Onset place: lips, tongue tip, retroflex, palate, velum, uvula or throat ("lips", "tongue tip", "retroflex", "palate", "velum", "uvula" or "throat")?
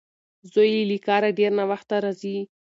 tongue tip